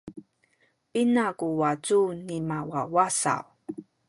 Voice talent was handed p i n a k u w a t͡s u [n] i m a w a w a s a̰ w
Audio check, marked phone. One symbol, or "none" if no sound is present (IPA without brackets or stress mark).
n